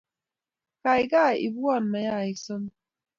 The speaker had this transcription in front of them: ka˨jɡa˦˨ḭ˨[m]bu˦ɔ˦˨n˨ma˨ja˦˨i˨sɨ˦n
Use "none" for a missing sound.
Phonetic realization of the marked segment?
none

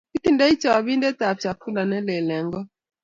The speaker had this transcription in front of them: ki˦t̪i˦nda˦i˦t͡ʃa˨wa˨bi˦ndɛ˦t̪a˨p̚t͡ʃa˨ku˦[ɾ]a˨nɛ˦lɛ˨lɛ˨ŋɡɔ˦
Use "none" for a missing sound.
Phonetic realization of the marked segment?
l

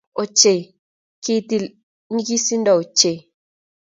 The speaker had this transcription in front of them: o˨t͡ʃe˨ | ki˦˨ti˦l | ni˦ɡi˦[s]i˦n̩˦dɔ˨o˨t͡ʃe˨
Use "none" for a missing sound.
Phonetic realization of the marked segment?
s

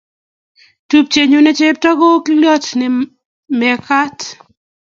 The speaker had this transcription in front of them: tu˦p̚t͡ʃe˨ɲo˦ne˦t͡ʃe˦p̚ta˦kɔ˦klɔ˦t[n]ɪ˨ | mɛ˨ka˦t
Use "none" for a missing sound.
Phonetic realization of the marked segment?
n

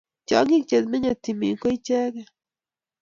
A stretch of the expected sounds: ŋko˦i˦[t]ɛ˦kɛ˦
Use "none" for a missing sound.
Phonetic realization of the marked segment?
t͡ʃ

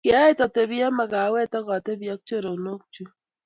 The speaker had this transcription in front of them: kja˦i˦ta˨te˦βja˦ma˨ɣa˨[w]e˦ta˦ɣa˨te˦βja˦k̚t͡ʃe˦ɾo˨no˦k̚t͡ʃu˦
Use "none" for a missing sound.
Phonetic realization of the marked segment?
w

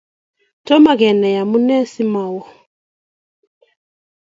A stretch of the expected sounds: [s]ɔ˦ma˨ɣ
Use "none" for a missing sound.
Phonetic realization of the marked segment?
t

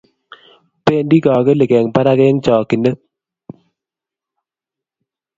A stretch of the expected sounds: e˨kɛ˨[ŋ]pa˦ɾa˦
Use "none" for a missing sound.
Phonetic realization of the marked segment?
ŋ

